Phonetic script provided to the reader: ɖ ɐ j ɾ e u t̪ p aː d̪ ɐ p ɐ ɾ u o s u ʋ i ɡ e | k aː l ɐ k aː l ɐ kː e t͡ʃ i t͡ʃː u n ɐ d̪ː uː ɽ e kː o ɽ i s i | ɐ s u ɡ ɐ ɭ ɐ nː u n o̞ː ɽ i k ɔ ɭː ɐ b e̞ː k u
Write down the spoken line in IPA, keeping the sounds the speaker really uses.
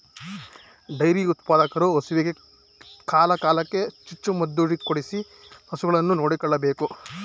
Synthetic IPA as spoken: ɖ ɐ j ɾ i u t̪ p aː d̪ ɐ k ɐ ɾ u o s u ʋ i ɡ e | k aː l ɐ k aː l ɐ kː e t͡ʃ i t͡ʃː u m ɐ d̪ː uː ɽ i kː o ɽ i s i | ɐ s u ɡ ɐ ɭ ɐ nː u n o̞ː ɽ i k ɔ ɭː ɐ b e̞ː k u